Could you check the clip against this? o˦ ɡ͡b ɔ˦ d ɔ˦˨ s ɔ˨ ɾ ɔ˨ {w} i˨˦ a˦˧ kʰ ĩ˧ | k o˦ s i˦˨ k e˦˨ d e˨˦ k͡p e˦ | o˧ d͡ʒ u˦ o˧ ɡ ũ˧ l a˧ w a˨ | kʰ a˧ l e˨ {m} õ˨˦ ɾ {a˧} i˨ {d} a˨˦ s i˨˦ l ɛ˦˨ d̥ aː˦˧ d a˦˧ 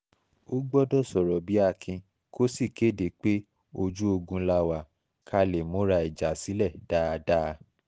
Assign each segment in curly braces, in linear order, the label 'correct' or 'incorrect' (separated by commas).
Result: incorrect, correct, correct, incorrect